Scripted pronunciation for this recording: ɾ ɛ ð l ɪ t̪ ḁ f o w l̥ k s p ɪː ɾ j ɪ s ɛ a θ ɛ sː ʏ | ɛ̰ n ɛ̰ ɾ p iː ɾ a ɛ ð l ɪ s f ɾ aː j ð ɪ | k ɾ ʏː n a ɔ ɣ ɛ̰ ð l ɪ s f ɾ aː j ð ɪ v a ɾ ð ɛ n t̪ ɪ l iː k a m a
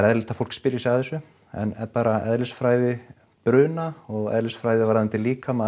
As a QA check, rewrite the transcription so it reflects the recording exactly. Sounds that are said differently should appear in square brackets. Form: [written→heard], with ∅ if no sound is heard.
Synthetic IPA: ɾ ɛ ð l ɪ t̪ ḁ f o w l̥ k s p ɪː ɾ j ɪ s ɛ a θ ɛ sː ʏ | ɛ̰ n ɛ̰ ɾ p [iː→aː] ɾ a ɛ ð l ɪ s f ɾ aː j ð ɪ | [k→p] ɾ ʏː n a ɔ ɣ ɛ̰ ð l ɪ s f ɾ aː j ð ɪ v a ɾ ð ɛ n t̪ ɪ l iː k a m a